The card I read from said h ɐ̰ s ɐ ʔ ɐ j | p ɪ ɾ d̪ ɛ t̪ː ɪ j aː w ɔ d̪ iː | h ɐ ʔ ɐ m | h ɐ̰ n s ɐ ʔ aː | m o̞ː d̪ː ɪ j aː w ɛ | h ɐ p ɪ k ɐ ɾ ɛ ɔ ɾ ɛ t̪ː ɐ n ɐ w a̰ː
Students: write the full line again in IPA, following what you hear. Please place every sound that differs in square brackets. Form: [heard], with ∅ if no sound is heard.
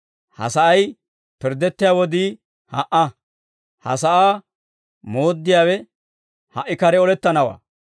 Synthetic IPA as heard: h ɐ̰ s ɐ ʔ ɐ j | p ɪ ɾ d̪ ɛ t̪ː ɪ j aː w ɔ d̪ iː | h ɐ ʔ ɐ [∅] | h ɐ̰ [∅] s ɐ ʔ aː | m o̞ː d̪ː ɪ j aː w ɛ | h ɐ [ʔ] ɪ k ɐ ɾ ɛ ɔ [l] ɛ t̪ː ɐ n ɐ w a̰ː

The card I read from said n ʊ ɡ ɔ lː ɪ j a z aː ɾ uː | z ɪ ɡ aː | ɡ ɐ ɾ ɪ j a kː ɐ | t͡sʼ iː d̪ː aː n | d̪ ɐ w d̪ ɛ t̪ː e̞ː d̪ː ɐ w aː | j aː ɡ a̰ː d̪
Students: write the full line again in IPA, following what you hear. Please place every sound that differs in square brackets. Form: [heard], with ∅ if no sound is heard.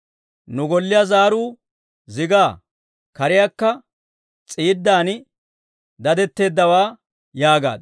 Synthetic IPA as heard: n ʊ ɡ ɔ lː ɪ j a z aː ɾ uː | z ɪ ɡ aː | [k] ɐ ɾ ɪ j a kː ɐ | t͡sʼ iː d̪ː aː n | d̪ ɐ [∅] d̪ ɛ t̪ː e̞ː d̪ː ɐ w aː | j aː ɡ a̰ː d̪

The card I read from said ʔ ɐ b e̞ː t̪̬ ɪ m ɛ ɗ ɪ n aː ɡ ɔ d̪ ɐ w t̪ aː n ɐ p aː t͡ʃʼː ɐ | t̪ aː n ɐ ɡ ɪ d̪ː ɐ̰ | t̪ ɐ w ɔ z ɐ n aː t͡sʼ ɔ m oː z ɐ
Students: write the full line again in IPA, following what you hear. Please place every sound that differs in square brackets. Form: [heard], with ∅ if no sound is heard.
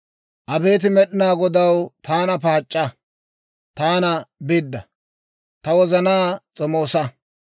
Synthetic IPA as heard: ʔ ɐ b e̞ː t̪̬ ɪ m ɛ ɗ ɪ n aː ɡ ɔ d̪ ɐ w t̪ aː n ɐ p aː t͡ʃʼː ɐ | t̪ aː n ɐ [b] ɪ d̪ː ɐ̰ | t̪ ɐ w ɔ z ɐ n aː t͡sʼ ɔ m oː [s] ɐ

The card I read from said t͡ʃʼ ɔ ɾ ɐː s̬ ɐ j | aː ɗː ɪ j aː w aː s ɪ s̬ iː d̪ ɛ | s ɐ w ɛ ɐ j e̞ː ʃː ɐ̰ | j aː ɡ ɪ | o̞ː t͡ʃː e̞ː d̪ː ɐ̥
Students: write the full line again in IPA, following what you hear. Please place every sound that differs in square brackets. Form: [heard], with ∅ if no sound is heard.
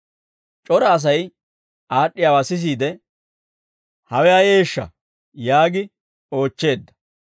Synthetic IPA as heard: t͡ʃʼ ɔ ɾ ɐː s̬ ɐ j | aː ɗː ɪ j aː w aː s ɪ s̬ iː d̪ ɛ | [h] ɐ w ɛ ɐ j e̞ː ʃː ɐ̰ | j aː ɡ ɪ | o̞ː t͡ʃː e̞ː d̪ː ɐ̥

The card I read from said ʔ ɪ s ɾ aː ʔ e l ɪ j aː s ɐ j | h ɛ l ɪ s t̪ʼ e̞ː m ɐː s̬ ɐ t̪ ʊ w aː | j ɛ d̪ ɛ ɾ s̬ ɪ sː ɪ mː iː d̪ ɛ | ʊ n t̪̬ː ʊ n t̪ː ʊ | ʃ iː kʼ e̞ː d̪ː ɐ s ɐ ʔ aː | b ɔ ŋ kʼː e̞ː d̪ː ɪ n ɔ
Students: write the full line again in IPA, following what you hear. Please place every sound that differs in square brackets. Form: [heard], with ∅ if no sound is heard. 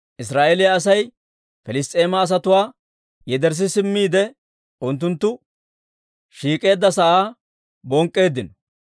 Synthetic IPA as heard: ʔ ɪ s ɾ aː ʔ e l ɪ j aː s ɐ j | [f] ɛ l ɪ s t̪ʼ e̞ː m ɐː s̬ ɐ t̪ ʊ w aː | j ɛ d̪ ɛ ɾ s̬ ɪ [s] ɪ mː iː d̪ ɛ | ʊ n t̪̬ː ʊ n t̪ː ʊ | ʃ iː kʼ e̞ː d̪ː ɐ s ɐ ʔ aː | b ɔ ŋ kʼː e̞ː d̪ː ɪ n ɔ

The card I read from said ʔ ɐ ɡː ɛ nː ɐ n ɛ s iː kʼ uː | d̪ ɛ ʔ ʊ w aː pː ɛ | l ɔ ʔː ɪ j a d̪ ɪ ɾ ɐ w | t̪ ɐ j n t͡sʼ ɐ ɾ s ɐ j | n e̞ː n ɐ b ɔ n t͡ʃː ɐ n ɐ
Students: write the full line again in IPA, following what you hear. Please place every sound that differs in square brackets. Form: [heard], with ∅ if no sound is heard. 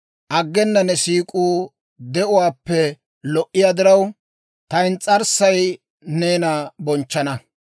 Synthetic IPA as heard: ʔ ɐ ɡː ɛ nː ɐ n ɛ s iː kʼ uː | d̪ ɛ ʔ ʊ w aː pː ɛ | l ɔ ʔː ɪ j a d̪ ɪ ɾ ɐ w | t̪ ɐ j n t͡sʼ ɐ ɾ s ɐ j | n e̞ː n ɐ b ɔ n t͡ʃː ɐ n ɐ

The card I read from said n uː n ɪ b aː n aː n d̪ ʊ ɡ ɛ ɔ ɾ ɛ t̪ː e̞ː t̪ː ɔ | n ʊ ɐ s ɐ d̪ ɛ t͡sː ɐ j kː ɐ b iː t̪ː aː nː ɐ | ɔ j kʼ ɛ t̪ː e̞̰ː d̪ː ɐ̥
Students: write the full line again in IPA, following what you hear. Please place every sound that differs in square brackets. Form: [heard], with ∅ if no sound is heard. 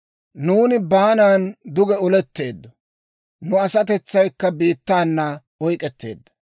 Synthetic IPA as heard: n uː n ɪ b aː n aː n d̪ ʊ ɡ ɛ ɔ [l] ɛ t̪ː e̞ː [d̪ː] ɔ | n ʊ ɐ s ɐ [t̪] ɛ t͡sː ɐ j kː ɐ b iː t̪ː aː nː ɐ | ɔ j kʼ ɛ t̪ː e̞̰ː d̪ː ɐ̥

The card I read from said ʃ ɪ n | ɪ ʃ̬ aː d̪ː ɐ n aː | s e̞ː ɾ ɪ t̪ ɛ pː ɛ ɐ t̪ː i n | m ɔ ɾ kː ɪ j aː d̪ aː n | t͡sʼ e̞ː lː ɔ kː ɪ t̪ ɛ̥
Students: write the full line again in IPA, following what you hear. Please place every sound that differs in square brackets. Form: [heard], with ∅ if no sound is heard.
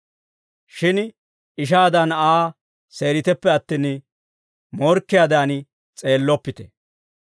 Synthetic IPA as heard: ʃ ɪ n | ɪ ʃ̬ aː [d̪] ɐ n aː | s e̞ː ɾ ɪ t̪ ɛ pː ɛ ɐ t̪ː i n | m ɔ ɾ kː ɪ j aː d̪ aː n | t͡sʼ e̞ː lː ɔ [pː] ɪ t̪ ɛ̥

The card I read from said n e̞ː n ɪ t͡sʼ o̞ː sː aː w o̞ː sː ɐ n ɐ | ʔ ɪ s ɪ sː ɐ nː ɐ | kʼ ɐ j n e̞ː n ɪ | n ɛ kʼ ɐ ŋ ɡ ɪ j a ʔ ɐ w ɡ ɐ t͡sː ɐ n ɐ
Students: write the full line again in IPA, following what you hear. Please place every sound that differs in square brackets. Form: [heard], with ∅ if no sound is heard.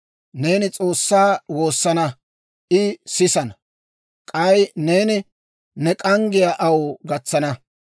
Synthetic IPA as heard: n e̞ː n ɪ t͡sʼ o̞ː sː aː w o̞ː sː ɐ n ɐ | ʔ ɪ s ɪ [s] ɐ [n] ɐ | kʼ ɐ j n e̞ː n ɪ | n ɛ kʼ ɐ ŋ ɡ ɪ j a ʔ ɐ w ɡ ɐ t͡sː ɐ n ɐ

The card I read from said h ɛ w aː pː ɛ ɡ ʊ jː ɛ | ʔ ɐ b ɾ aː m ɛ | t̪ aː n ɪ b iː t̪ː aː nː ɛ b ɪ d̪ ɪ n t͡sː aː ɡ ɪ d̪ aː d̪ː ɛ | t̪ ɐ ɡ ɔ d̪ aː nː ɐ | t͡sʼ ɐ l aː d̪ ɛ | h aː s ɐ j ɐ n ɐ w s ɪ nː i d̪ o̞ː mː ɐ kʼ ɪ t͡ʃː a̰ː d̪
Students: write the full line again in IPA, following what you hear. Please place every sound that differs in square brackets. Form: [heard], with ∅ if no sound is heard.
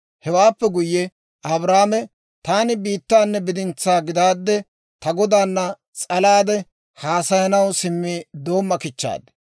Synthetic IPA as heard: h ɛ w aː pː ɛ ɡ ʊ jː ɛ | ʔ ɐ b ɾ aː m ɛ | t̪ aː n ɪ b iː t̪ː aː nː ɛ b ɪ d̪ ɪ n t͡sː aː ɡ ɪ d̪ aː d̪ː ɛ | t̪ ɐ ɡ ɔ d̪ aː nː ɐ | t͡sʼ ɐ l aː d̪ ɛ | h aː s ɐ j ɐ n ɐ w s ɪ [mː] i d̪ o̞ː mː ɐ [k] ɪ t͡ʃː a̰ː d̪

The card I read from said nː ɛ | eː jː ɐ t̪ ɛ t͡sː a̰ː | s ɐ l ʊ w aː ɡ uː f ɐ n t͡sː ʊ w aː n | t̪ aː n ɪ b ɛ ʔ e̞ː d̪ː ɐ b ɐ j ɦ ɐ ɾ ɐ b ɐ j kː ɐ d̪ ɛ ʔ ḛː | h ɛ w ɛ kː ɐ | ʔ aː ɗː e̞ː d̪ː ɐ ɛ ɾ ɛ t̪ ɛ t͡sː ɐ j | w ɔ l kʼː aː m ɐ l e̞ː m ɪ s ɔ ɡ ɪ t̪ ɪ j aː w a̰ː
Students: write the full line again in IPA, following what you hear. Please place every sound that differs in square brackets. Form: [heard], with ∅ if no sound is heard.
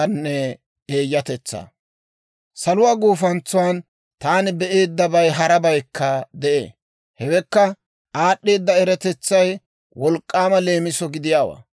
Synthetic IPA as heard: nː ɛ | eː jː ɐ t̪ ɛ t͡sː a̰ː | s ɐ l ʊ w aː ɡ uː f ɐ n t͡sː ʊ w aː n | t̪ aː n ɪ b ɛ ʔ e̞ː d̪ː ɐ b ɐ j ɦ ɐ ɾ ɐ b ɐ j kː ɐ d̪ ɛ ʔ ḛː | h ɛ w ɛ kː ɐ | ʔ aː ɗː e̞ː d̪ː ɐ ɛ ɾ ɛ t̪ ɛ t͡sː ɐ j | w ɔ l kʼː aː m ɐ l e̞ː m ɪ s ɔ ɡ ɪ [d̪] ɪ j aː w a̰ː

